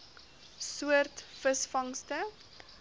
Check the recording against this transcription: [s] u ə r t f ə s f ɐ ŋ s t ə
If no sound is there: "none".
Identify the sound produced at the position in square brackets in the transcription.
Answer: s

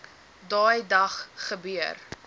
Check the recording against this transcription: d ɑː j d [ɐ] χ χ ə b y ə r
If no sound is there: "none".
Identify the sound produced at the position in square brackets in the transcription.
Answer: ɐ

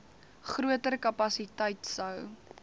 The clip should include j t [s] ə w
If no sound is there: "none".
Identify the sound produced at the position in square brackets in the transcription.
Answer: s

